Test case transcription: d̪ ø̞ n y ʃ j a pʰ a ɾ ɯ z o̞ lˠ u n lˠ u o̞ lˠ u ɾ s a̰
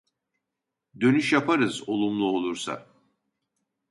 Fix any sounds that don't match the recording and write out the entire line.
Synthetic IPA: d̪ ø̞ n y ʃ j a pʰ a ɾ ɯ z o̞ lˠ u m lˠ u o̞ lˠ u ɾ s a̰